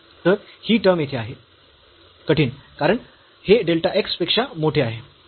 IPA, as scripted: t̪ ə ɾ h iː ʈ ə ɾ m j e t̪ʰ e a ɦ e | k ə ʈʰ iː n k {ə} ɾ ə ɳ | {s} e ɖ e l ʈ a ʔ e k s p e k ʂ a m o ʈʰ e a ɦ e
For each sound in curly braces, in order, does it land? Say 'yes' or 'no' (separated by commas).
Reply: no, no